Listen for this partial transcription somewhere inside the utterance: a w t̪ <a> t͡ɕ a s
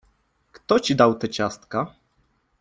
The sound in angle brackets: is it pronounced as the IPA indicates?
no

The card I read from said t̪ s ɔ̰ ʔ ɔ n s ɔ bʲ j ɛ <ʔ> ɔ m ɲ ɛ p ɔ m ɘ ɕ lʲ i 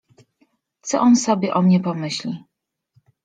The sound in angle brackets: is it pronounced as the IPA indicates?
yes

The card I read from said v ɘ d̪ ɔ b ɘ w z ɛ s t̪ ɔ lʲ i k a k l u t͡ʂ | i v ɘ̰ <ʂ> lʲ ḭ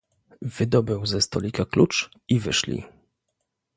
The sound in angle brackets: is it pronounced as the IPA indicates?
yes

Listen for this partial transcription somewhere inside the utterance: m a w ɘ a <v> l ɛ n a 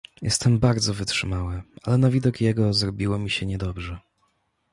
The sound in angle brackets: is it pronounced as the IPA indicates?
no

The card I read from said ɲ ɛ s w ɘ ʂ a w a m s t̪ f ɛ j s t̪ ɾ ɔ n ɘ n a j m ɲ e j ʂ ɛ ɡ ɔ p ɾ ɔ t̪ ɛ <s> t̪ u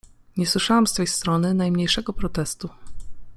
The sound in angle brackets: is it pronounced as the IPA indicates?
yes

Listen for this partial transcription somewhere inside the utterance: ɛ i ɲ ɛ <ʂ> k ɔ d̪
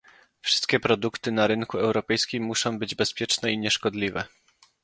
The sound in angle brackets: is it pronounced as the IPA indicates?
yes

